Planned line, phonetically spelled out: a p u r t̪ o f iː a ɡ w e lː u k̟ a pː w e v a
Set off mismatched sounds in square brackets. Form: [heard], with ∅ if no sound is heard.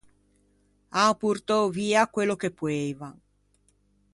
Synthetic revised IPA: a p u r t̪ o [v] iː a [k] w e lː [o] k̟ [e] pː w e v a